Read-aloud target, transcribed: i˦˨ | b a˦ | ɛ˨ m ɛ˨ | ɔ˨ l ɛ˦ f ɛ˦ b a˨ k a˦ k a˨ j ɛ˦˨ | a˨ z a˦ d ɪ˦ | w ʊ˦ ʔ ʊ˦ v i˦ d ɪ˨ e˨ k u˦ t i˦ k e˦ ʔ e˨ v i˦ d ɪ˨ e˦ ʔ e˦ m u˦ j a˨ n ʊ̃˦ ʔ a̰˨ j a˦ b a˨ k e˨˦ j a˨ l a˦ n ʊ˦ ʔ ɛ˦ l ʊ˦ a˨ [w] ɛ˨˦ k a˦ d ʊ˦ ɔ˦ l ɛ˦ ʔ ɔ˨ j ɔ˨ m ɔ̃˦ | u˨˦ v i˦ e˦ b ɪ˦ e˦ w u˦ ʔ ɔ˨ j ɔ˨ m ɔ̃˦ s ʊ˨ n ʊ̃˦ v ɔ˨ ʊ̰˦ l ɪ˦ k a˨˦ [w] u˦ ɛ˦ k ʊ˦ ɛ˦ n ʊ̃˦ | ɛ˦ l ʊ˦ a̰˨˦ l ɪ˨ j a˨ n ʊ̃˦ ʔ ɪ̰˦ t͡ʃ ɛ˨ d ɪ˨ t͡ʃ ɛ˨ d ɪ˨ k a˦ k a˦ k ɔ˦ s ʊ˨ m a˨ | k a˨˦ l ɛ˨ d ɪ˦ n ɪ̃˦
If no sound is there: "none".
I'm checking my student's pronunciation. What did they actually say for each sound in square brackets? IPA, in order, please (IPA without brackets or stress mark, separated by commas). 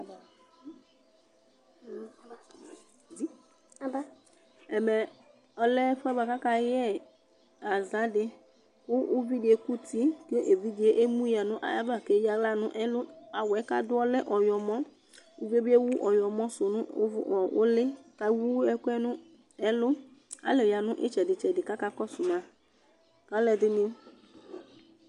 w, w